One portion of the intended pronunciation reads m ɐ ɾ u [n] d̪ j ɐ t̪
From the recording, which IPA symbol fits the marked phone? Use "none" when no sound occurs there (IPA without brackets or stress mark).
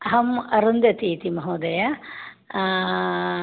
n